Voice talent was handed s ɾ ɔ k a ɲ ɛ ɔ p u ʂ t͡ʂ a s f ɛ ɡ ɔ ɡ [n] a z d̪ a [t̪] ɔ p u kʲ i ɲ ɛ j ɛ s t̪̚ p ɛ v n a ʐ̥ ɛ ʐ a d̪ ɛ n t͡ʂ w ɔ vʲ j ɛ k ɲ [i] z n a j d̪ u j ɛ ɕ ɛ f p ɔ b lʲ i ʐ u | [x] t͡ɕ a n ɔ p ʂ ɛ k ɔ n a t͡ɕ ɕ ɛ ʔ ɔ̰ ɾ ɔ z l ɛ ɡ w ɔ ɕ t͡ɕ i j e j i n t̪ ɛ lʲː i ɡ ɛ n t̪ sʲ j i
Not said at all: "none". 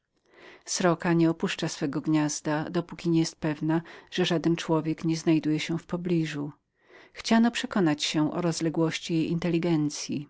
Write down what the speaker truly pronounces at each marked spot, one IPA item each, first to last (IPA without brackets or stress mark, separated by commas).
ɲ, d̪, ɛ, x